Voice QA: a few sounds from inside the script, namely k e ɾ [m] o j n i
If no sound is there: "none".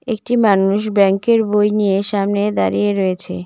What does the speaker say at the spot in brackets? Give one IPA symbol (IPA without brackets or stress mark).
b